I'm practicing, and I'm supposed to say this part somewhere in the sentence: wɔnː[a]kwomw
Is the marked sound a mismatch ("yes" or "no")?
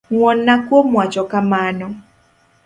no